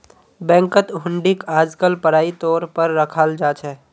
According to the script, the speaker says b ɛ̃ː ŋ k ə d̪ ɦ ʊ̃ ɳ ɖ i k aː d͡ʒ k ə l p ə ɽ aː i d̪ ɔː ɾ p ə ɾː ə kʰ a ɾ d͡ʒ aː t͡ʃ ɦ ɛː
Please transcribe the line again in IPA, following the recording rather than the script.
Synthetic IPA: b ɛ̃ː ŋ k ə t̪ ɦ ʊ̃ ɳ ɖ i k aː d͡ʒ k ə l p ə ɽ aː i t̪ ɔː ɾ p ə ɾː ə kʰ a l d͡ʒ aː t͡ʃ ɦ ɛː